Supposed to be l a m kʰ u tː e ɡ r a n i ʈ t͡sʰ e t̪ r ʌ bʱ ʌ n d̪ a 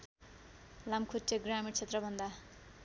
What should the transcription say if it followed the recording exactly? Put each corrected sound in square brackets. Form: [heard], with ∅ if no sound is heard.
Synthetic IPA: l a m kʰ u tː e ɡ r a [m] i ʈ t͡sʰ e t̪ r ʌ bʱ ʌ n d̪ a

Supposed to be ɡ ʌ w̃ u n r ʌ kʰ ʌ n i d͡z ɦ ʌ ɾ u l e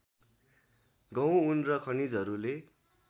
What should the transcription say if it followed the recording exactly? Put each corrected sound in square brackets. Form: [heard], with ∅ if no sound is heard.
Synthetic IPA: ɡ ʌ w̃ u n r ʌ kʰ ʌ n i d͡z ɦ ʌ ɾ u l e

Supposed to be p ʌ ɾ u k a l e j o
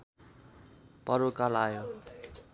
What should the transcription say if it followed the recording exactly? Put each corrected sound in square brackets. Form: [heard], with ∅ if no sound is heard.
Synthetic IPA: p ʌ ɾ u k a l [a] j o

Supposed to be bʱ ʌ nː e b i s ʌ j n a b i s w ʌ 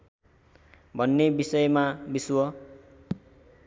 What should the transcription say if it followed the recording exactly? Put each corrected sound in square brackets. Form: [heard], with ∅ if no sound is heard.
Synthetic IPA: bʱ ʌ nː e b i s ʌ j [m] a b i s w ʌ

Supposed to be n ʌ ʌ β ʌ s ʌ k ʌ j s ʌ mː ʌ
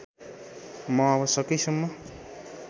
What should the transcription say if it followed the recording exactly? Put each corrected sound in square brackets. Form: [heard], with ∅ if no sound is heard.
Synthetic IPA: [m] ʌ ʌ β ʌ s ʌ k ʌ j s ʌ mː ʌ

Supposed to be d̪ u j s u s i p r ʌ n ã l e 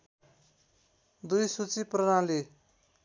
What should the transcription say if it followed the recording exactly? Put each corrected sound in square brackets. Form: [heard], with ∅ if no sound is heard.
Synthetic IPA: d̪ u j s u [t͡s] i p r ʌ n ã l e

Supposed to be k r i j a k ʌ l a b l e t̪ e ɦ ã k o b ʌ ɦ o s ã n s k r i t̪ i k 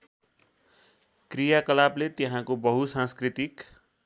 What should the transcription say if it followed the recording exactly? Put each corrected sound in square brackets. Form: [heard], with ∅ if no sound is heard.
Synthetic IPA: k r i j a k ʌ l a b l e t̪ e ɦ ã k o b ʌ ɦ [u] s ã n s k r i t̪ i k

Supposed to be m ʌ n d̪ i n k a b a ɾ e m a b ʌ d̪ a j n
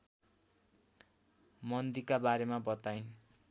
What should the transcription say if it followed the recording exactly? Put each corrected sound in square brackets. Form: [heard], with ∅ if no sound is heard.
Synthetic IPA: m ʌ n d̪ i [∅] k a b a ɾ e m a b ʌ [t̪] a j n

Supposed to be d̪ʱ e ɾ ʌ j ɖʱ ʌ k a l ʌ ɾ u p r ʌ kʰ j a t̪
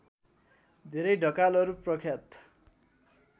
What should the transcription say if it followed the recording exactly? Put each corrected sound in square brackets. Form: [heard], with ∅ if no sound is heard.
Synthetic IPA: d̪ʱ e ɾ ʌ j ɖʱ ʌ k a l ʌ ɾ u p r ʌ kʰ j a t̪

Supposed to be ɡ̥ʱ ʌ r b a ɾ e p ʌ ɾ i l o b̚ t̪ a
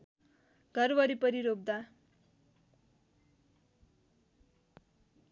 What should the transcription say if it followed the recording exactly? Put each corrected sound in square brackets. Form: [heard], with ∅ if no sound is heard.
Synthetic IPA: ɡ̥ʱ ʌ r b [ʌ] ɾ [i] p ʌ ɾ i [ɾ] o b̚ [d̪] a

